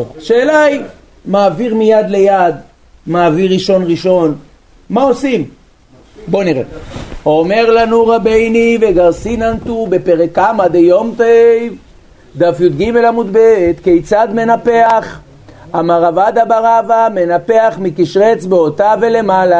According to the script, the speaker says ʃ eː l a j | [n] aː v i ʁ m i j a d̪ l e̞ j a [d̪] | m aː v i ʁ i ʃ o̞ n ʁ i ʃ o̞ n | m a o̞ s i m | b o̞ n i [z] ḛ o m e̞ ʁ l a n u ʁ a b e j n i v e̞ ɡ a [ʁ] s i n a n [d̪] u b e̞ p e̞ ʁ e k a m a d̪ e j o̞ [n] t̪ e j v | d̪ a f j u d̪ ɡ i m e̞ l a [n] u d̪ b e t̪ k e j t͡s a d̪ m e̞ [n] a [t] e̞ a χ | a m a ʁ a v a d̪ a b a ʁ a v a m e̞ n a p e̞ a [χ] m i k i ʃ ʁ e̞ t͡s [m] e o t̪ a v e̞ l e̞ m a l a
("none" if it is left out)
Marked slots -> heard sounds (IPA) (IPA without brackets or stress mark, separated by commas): m, d̪, ʁ, ʁ, t̪, m, m, n, p, χ, b